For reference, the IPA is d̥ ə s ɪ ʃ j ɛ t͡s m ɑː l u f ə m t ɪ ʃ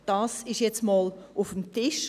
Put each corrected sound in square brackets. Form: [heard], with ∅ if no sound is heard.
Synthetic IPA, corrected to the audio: d̥ [ɑ] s ɪ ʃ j ɛ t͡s m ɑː l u f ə m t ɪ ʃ